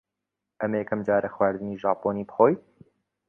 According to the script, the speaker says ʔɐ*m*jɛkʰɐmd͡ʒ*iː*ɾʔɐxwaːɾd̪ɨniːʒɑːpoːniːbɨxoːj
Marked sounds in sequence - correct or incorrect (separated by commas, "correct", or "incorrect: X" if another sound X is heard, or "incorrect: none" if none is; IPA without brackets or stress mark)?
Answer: correct, incorrect: aː